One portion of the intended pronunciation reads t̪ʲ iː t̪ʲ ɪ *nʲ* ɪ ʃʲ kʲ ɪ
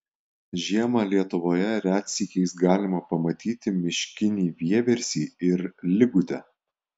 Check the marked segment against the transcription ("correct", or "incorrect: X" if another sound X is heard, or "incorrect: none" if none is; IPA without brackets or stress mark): incorrect: mʲ